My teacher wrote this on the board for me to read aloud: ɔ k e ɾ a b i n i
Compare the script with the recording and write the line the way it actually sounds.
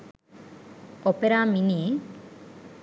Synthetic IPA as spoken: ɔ p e ɾ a m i n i